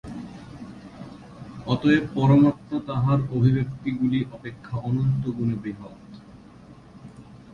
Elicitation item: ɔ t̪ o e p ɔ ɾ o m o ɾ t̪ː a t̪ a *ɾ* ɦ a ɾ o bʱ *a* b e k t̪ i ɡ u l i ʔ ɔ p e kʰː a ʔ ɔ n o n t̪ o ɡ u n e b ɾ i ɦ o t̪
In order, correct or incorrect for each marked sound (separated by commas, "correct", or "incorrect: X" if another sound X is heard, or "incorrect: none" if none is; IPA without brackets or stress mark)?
incorrect: none, incorrect: i